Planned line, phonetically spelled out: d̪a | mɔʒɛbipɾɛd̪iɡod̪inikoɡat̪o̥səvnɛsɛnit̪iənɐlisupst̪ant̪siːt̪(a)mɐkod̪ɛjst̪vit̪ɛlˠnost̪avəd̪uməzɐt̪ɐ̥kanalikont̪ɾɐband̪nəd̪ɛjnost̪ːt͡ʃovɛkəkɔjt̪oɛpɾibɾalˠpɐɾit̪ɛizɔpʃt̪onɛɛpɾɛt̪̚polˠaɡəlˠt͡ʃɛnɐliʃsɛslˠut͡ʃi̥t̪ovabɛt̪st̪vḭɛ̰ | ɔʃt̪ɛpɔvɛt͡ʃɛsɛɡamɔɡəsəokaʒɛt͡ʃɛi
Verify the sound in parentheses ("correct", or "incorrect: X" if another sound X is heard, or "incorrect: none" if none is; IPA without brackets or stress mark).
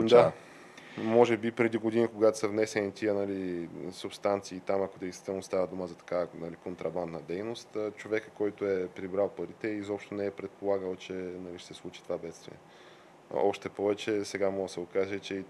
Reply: correct